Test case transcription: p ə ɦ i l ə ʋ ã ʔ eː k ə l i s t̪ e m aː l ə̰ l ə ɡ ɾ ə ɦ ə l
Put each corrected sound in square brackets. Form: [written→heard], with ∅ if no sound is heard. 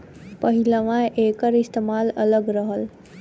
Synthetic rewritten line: p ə ɦ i l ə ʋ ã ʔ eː k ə [l→ɾ] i s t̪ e m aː l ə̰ l ə ɡ ɾ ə ɦ ə l

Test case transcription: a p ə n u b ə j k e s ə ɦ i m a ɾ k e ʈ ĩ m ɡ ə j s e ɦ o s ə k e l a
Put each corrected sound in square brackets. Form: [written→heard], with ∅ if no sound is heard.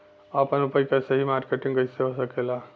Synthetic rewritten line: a p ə n u [b→p] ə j k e s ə ɦ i m a ɾ k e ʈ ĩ [m→ŋ] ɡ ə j s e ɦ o s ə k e l a

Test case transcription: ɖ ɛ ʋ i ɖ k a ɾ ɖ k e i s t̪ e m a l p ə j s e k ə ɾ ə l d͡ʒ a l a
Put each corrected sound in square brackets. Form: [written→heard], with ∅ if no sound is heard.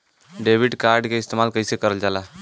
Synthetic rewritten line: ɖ [ɛ→e] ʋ i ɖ k a ɾ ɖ k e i s t̪ e m a l [p→k] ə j s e k ə ɾ ə l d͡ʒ a l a

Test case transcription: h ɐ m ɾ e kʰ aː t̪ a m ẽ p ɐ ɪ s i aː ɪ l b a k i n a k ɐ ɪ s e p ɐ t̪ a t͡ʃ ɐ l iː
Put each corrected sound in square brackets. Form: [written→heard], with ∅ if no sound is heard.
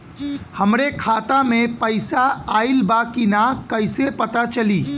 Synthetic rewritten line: h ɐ m ɾ e kʰ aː t̪ a m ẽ p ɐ ɪ s [i→a] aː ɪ l b a k i n a k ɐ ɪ s e p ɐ t̪ a t͡ʃ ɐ l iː

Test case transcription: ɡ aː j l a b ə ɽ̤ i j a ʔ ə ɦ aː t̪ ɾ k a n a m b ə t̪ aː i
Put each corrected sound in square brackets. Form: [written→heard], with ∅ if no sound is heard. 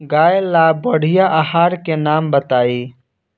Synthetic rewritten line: ɡ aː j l a b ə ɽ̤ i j a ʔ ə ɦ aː [t̪→∅] ɾ k [a→e] n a m b ə t̪ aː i

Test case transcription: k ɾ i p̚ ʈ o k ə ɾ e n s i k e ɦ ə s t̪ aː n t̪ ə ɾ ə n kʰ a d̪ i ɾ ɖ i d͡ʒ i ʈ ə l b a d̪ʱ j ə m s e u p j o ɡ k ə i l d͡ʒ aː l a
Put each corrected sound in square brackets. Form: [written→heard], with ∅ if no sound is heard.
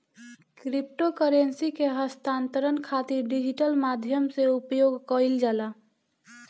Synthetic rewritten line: k ɾ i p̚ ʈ o k ə ɾ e n s i k e ɦ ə s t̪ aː n t̪ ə ɾ ə n kʰ a [d̪→t̪] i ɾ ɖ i d͡ʒ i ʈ ə l [b→m] a d̪ʱ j ə m s e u p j o ɡ k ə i l d͡ʒ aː l a

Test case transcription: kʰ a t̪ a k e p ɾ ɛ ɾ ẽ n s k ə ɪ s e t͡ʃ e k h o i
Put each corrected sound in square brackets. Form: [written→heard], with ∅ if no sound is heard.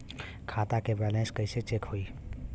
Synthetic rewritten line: kʰ a t̪ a k e [p→b] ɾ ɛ [ɾ→l] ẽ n s k ə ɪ s e t͡ʃ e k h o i

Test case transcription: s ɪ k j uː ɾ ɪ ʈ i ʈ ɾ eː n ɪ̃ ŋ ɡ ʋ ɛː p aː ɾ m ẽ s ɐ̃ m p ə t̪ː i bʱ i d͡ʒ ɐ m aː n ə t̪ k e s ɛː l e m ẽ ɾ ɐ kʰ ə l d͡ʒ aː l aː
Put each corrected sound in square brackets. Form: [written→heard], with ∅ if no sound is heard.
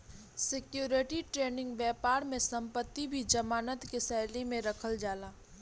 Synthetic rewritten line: s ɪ k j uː ɾ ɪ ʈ i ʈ ɾ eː n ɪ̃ ŋ ɡ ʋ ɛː p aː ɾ m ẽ s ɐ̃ m p ə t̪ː i bʱ i d͡ʒ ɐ m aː n ə t̪ k e s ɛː l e m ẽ ɾ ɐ kʰ ə l d͡ʒ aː l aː

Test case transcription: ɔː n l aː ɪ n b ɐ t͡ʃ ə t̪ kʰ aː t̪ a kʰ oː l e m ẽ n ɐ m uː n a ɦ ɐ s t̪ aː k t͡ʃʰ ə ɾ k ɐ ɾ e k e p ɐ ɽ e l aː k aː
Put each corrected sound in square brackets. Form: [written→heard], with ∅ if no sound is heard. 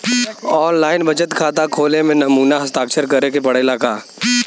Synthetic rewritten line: ɔː n l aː ɪ n b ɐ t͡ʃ ə t̪ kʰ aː t̪ a kʰ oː l e m ẽ n ɐ m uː n a ɦ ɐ s t̪ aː k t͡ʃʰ ə ɾ k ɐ ɾ e k e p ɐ ɽ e l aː k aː

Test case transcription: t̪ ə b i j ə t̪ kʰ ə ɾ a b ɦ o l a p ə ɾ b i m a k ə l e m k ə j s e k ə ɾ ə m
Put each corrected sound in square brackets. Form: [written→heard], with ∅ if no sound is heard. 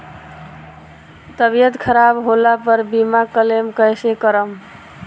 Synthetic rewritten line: t̪ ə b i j ə t̪ kʰ ə ɾ a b ɦ o l a p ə ɾ b i m a k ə l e m k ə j s e k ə ɾ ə m

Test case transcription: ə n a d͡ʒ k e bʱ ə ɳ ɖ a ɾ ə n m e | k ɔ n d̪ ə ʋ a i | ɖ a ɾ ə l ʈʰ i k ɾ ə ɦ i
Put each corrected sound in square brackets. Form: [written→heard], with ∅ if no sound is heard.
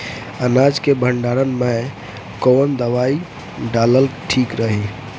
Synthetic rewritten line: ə n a d͡ʒ k e bʱ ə ɳ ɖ a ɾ ə n m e | k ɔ n d̪ ə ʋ a i | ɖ a [ɾ→l] ə l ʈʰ i k ɾ ə ɦ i

